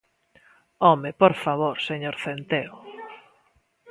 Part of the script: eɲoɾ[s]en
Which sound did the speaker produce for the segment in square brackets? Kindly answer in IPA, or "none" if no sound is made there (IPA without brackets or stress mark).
θ